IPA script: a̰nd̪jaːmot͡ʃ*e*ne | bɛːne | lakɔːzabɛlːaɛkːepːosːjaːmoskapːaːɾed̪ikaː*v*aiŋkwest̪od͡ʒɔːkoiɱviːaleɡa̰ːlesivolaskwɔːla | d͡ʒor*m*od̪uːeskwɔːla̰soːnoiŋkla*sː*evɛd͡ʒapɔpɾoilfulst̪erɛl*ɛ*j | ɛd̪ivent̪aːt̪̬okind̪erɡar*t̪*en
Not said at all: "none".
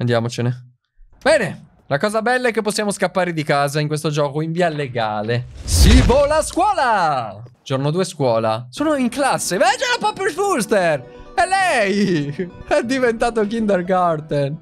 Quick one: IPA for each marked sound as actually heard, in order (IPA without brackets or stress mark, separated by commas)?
e, z, n, sː, ɛ, t̪